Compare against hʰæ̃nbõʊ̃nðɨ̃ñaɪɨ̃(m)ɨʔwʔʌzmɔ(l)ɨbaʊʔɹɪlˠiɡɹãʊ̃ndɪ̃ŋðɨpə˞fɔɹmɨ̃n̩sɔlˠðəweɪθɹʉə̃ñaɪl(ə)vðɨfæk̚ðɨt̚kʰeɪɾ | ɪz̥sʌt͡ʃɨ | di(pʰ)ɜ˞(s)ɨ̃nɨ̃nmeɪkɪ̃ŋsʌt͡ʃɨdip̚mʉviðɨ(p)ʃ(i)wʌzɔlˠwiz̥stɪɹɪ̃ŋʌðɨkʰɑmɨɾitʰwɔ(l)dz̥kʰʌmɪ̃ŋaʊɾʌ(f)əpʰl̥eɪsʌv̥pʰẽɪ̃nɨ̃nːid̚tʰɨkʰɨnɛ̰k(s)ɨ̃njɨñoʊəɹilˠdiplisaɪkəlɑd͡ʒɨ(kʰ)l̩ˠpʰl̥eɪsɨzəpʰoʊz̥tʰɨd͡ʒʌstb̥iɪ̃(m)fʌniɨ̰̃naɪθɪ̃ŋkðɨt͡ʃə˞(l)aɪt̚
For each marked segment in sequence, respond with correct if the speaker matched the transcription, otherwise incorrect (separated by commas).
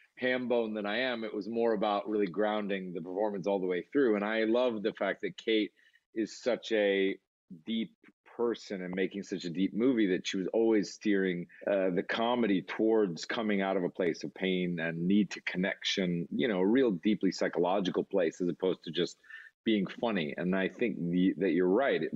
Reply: correct, incorrect, incorrect, correct, correct, incorrect, correct, incorrect, incorrect, incorrect, incorrect, incorrect, incorrect